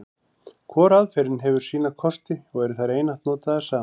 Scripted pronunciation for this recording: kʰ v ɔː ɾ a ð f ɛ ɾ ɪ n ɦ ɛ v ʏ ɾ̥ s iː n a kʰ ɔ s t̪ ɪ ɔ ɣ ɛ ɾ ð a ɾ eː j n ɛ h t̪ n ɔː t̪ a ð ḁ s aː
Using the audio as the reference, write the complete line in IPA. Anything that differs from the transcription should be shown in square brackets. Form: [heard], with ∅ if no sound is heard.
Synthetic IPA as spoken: kʰ v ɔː ɾ a ð f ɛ ɾ ɪ n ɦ ɛ v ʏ ɾ̥ s iː n a kʰ ɔ s t̪ ɪ ɔ ɣ ɛ ɾ [θ] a ɾ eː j n [a] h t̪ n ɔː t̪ a ð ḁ s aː